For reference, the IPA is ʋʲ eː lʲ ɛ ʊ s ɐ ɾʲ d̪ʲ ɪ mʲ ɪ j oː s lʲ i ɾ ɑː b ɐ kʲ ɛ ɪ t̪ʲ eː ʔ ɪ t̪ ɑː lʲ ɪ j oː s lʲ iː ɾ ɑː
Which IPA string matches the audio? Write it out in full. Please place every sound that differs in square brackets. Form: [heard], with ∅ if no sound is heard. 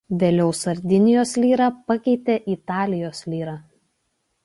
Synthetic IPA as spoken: ʋʲ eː lʲ ɛ ʊ s ɐ ɾʲ d̪ʲ ɪ [nʲ] ɪ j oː s lʲ [iː] ɾ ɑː [p] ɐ kʲ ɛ ɪ t̪ʲ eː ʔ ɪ t̪ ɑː lʲ ɪ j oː s lʲ iː ɾ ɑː